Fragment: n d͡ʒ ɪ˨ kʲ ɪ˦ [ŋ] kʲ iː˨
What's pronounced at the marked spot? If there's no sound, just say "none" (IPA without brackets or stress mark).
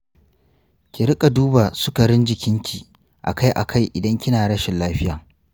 ŋ